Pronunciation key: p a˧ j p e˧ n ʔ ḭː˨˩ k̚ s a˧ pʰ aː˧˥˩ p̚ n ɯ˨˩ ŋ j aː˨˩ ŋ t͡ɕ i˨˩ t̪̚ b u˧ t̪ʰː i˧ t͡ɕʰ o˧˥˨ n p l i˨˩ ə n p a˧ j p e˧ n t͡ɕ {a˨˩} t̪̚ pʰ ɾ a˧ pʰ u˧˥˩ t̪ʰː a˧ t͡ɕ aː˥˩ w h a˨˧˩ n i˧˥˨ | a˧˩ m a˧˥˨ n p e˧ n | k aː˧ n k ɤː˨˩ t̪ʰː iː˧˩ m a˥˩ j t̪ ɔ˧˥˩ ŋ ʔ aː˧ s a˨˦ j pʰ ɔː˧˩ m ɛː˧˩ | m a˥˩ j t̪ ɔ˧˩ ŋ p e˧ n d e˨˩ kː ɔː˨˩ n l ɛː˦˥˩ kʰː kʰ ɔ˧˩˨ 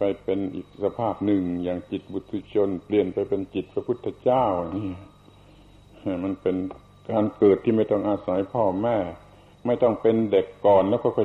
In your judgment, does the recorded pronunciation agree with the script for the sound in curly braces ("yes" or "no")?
no